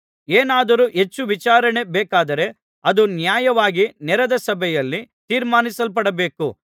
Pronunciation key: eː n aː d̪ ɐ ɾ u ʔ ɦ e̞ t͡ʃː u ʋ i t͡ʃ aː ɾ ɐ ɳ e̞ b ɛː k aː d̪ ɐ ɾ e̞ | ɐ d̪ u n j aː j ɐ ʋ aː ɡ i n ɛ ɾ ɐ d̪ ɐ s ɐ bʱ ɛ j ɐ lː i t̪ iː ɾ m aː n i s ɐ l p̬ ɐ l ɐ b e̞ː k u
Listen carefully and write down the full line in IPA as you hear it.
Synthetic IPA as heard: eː n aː d̪ ɐ ɾ u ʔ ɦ e̞ t͡ʃː u ʋ i t͡ʃ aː ɾ ɐ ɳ e̞ b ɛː k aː d̪ ɐ ɾ e̞ | ɐ d̪ u n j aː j ɐ ʋ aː ɡ i n ɛ ɾ ɐ d̪ ɐ s ɐ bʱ ɛ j ɐ lː i t̪ iː ɾ m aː n i s ɐ l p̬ ɐ ɽ ɐ b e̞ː k u